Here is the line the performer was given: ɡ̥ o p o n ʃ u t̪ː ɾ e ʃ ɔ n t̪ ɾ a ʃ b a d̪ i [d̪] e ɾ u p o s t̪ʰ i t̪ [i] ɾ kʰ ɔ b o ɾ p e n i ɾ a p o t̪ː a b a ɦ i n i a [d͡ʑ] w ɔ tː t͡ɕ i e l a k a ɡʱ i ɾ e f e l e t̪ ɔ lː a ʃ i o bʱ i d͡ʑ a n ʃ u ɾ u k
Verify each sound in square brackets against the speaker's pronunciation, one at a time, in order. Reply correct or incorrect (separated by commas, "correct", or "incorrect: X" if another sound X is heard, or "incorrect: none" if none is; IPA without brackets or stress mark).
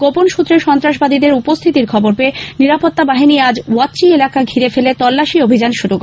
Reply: correct, correct, correct